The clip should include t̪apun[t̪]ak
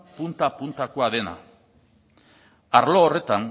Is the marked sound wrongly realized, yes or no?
no